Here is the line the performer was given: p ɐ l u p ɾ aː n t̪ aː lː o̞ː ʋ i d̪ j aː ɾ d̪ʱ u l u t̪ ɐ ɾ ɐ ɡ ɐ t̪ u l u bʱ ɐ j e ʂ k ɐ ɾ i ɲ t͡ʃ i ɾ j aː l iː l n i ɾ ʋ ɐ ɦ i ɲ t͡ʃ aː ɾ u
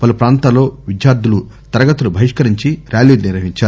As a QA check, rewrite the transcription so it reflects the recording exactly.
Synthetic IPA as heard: p ɐ l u p ɾ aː n t̪ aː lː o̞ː ʋ i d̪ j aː ɾ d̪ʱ u l u t̪ ɐ ɾ ɐ ɡ ɐ t̪ u l u bʱ ɐ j i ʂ k ɐ ɾ i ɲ t͡ʃ i ɾ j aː l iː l n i ɾ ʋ ɐ ɦ i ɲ t͡ʃ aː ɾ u